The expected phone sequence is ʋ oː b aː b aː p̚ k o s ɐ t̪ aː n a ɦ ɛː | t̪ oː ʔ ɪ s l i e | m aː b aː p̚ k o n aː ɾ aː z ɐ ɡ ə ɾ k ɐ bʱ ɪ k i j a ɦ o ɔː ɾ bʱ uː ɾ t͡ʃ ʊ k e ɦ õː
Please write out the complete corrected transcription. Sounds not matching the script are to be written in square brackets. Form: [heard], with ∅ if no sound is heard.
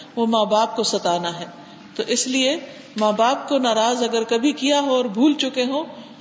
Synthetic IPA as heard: ʋ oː [m] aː b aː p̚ k o s ɐ t̪ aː n a ɦ ɛː | t̪ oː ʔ ɪ s l i e | m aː b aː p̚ k o n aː ɾ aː z ɐ ɡ ə ɾ k ɐ bʱ [i] k i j a ɦ o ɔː ɾ bʱ uː [l] t͡ʃ ʊ k e ɦ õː